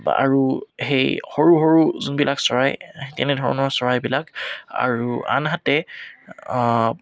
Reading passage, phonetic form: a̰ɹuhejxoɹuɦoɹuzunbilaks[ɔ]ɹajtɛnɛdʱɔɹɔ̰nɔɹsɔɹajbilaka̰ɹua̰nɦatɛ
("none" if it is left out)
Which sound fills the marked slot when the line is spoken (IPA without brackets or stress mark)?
ɔ